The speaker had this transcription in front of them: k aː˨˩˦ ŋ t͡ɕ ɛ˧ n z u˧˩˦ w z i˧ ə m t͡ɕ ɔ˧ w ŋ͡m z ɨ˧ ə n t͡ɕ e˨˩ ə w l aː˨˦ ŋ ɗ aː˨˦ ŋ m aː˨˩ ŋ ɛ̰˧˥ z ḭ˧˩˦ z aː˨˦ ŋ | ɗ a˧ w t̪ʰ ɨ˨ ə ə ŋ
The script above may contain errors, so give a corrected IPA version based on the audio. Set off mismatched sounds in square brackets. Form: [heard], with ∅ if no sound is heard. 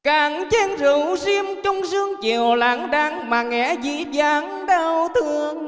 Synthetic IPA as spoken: k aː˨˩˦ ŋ t͡ɕ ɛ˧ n z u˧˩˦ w z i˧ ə m t͡ɕ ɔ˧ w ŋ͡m z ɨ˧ ə [ŋ] t͡ɕ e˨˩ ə w l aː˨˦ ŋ ɗ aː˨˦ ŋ m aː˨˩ ŋ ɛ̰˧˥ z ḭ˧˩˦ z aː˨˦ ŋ | ɗ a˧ w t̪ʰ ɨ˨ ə ə ŋ